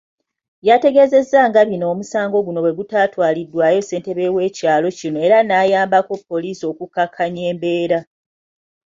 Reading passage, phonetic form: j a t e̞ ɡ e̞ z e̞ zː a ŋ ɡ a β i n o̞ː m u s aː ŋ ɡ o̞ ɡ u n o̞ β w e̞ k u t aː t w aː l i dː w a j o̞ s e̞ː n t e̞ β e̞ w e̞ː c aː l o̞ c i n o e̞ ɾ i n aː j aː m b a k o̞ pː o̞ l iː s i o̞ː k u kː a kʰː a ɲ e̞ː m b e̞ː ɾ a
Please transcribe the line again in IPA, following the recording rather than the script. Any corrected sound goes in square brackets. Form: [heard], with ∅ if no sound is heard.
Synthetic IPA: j a t e̞ ɡ e̞ z e̞ zː a ŋ ɡ a β i n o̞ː m u s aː ŋ ɡ o̞ ɡ u n o̞ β w e̞ [ɡ] u t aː t w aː l i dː w a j o̞ s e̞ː n t e̞ β e̞ w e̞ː c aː l o̞ c i n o e̞ ɾ [a] n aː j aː m b a k o̞ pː o̞ l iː s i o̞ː k u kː a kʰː a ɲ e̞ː m b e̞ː ɾ a